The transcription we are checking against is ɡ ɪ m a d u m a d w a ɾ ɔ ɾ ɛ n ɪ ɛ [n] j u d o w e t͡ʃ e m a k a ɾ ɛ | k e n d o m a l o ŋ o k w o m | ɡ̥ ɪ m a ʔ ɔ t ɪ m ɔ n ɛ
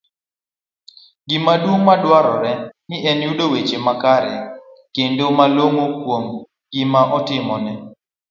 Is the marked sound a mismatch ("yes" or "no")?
no